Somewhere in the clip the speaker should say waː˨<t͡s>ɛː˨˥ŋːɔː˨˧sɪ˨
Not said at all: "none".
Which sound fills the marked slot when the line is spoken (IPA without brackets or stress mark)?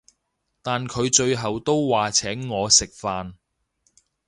t͡sʰ